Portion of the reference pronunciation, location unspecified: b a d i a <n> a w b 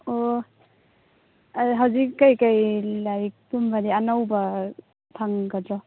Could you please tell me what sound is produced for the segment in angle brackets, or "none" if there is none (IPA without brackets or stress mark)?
n